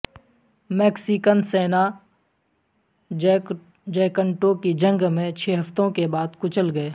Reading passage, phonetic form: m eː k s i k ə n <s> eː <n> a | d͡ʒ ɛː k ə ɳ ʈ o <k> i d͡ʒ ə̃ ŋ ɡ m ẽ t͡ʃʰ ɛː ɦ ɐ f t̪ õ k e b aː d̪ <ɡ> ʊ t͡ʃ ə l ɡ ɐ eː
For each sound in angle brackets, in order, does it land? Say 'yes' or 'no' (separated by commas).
yes, yes, yes, no